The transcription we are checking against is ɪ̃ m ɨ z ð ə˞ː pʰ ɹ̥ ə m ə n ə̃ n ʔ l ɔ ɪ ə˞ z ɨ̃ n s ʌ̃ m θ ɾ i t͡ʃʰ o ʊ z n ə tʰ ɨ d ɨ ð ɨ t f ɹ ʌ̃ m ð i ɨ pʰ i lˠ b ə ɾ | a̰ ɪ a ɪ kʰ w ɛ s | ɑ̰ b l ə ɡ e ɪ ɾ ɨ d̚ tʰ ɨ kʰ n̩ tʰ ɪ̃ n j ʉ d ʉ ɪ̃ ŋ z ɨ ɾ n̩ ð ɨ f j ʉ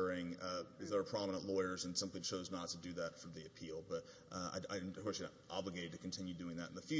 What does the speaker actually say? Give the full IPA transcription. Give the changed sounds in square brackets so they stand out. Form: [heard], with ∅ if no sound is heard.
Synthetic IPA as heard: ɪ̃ [ŋ] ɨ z ð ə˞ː pʰ ɹ̥ [ɑ] m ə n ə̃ n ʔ l ɔ ɪ ə˞ z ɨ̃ n s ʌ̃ m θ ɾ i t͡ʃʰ o ʊ z n ə tʰ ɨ d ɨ ð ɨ t f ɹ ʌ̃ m ð i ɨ pʰ i lˠ b [ʌ] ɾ | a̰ ɪ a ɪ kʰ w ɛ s | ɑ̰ b l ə ɡ e ɪ ɾ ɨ d̚ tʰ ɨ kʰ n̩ tʰ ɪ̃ n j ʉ d ʉ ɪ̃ ŋ [ð] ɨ ɾ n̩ ð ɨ f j ʉ